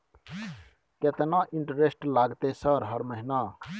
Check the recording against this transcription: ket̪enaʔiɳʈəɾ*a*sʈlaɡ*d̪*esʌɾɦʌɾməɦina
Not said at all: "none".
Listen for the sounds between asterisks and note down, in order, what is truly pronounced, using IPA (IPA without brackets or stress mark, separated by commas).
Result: e, t̪